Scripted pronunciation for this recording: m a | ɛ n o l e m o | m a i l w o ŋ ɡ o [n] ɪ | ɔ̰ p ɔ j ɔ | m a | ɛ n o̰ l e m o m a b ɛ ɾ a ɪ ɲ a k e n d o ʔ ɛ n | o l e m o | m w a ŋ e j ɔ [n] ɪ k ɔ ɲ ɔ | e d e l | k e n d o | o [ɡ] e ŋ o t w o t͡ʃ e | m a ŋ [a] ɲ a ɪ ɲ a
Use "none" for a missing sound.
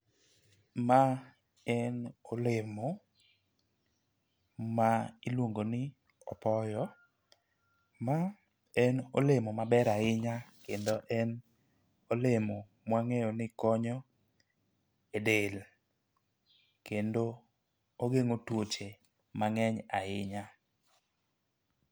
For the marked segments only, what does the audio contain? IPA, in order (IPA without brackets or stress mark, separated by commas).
n, n, ɡ, ɛ